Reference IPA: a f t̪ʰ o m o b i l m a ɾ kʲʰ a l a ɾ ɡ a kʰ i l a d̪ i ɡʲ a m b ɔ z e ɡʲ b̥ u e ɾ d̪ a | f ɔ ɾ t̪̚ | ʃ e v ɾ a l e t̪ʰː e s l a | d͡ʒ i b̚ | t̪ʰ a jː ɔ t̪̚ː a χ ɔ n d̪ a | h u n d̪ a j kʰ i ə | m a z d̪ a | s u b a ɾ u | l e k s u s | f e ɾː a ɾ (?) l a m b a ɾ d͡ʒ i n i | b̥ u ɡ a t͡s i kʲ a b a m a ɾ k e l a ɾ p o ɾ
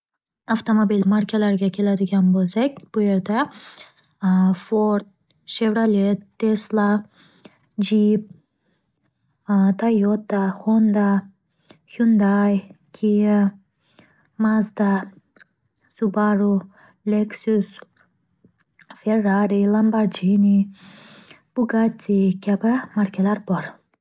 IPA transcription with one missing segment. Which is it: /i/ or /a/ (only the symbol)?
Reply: i